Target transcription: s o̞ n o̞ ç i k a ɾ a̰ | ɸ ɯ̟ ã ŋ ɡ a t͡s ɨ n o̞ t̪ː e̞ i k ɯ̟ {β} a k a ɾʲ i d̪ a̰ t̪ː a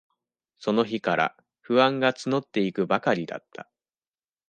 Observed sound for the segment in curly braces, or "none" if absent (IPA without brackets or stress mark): b